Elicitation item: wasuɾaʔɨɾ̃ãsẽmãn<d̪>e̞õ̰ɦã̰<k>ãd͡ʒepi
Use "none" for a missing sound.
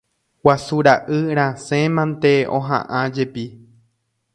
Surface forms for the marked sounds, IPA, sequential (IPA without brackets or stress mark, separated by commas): t̪, ʔ